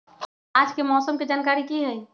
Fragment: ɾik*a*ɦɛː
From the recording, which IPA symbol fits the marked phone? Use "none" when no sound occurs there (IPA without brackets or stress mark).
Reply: i